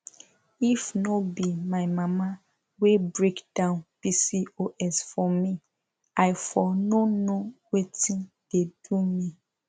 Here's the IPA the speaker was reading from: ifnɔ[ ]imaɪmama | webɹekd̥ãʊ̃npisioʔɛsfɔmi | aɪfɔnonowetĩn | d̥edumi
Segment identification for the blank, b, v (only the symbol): b